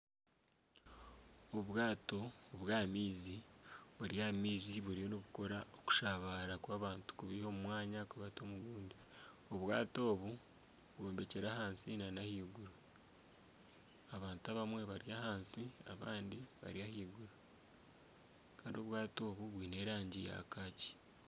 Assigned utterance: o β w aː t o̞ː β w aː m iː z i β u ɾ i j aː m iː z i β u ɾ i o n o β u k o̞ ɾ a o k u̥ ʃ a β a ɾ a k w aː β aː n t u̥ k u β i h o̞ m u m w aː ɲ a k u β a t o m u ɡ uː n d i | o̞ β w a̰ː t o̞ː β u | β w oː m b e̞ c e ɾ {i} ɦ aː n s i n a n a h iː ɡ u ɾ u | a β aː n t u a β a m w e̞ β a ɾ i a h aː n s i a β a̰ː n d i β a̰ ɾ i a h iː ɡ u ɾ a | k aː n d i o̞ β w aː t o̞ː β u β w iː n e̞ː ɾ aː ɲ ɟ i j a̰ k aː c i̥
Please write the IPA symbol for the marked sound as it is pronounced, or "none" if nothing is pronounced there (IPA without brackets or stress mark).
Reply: a